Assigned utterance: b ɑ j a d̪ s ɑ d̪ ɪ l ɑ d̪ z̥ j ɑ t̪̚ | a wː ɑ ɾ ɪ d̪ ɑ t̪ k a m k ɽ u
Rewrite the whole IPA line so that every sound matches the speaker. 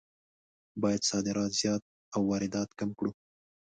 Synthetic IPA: b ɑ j a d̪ s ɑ d̪ ɪ ɾ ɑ t̪ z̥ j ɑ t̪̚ | a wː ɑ ɾ ɪ d̪ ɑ t̪ k a m k ɽ u